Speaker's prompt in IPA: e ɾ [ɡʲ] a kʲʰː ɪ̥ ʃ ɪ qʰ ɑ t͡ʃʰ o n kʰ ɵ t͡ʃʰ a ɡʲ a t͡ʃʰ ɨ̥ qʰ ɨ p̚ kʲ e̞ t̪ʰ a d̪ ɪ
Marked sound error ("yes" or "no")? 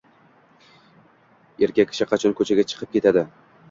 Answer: yes